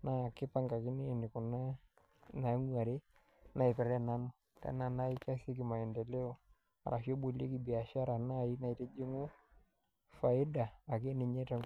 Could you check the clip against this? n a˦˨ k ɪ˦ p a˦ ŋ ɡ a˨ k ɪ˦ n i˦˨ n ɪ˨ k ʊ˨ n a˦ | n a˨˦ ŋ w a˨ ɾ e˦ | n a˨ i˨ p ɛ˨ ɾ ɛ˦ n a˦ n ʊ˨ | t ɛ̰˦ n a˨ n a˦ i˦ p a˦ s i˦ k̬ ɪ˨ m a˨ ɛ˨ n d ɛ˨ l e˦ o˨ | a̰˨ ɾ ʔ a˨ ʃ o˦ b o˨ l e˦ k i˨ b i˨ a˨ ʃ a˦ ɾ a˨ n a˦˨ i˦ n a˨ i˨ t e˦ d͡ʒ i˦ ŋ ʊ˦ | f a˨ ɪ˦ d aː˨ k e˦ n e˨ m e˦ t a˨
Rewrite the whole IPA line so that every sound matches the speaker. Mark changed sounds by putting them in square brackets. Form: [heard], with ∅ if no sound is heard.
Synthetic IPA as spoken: n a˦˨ k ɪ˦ p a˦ ŋ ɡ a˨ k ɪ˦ n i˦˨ n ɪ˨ k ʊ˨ n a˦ | n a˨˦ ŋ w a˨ ɾ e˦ | n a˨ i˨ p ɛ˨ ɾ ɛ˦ n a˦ n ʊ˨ | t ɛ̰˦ n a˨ n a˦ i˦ [k] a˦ s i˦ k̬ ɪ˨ m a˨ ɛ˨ n d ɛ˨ l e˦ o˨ | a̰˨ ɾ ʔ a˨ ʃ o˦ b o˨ l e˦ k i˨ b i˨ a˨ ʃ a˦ ɾ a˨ n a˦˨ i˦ n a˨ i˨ t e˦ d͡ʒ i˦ ŋ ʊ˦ | f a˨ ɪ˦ d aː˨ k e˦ n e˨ [ɲ] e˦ t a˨